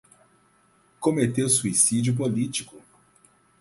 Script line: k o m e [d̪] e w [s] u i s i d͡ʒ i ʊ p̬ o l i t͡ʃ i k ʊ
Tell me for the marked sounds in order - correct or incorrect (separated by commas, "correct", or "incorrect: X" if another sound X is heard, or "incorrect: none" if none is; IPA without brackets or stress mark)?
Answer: incorrect: t̪, correct